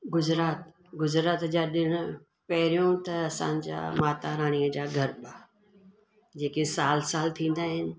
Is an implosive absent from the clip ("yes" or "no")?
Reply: no